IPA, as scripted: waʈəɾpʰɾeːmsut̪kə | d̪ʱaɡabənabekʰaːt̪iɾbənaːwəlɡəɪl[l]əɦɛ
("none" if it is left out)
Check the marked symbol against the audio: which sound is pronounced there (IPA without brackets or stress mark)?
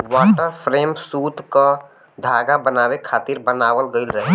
ɾ